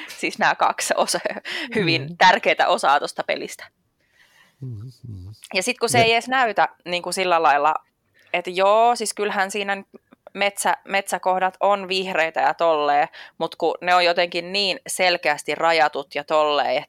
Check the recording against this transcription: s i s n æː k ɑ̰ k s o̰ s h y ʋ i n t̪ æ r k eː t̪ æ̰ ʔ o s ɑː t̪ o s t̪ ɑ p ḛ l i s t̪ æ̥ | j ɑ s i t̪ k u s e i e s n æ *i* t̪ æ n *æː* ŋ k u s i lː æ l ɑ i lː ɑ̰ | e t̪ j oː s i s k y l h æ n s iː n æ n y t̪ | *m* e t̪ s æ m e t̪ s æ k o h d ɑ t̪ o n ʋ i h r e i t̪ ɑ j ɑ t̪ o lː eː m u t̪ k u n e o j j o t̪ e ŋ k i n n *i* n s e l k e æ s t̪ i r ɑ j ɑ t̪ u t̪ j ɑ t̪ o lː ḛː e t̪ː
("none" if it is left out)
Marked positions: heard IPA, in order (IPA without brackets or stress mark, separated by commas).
y, iː, m, iː